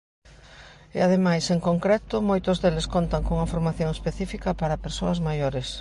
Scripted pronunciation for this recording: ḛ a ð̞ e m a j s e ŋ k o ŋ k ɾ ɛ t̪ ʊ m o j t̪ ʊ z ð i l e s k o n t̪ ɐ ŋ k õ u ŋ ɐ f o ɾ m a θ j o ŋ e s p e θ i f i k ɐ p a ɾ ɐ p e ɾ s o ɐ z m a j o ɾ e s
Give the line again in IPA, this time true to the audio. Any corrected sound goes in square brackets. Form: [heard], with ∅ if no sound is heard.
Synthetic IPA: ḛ a ð̞ e m a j s e ŋ k o ŋ k ɾ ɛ t̪ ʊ m o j t̪ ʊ z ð [e] l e s k o n t̪ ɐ ŋ k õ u ŋ ɐ f o ɾ m a θ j o ŋ e s p e θ i f i k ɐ p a ɾ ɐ p e ɾ s o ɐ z m a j o ɾ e s